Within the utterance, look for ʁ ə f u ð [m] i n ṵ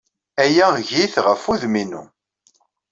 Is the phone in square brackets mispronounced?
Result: no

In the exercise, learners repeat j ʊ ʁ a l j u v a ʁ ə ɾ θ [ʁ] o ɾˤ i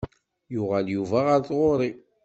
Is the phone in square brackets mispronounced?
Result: no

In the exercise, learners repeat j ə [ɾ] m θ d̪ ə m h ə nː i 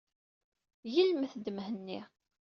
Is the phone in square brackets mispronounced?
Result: yes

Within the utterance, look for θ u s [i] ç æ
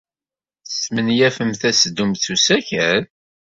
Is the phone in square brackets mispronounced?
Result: yes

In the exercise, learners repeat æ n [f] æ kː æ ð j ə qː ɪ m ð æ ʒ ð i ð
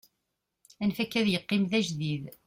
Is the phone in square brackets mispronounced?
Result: no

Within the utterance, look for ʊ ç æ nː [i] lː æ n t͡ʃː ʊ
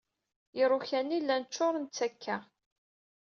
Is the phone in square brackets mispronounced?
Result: no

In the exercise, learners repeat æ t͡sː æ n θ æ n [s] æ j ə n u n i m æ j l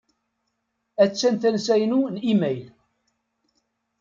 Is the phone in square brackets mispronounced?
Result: no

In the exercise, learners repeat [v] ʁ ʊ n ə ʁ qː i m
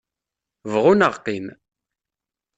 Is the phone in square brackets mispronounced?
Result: no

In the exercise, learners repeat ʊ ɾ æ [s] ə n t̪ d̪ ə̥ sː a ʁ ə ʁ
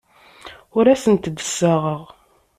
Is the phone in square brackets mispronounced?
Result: no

